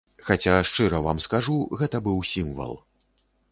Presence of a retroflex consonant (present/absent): present